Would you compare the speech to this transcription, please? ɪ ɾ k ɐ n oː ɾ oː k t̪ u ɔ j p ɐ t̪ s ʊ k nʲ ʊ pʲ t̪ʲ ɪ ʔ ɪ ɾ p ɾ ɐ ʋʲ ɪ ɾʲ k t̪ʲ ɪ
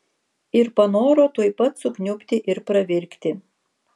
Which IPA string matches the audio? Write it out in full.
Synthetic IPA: ɪ ɾ p ɐ n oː ɾ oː t̪ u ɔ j p ɐ t̪ s ʊ k nʲ ʊ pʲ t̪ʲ ɪ ʔ ɪ ɾ p ɾ ɐ ʋʲ ɪ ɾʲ k t̪ʲ ɪ